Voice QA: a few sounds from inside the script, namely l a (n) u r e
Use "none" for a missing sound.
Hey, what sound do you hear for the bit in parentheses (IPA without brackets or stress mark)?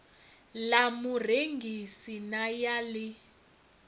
m